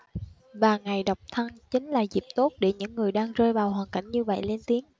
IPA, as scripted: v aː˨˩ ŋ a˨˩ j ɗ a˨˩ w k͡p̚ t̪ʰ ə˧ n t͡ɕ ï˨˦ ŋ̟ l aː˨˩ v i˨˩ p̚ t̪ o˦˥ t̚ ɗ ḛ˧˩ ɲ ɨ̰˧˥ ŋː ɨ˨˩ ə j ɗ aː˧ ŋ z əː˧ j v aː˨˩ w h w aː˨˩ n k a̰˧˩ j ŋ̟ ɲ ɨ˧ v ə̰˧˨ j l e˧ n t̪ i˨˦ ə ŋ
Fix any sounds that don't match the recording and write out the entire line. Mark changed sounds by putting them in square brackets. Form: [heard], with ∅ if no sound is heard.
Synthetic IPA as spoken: v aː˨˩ ŋ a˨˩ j ɗ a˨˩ w k͡p̚ t̪ʰ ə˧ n t͡ɕ ï˨˦ ŋ̟ l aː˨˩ [z] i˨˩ p̚ t̪ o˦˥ t̚ ɗ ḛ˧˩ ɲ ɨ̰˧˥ ŋː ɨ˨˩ ə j ɗ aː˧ ŋ z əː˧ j v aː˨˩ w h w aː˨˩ n k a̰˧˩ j ŋ̟ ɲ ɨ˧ v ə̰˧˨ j l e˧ n t̪ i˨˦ ə ŋ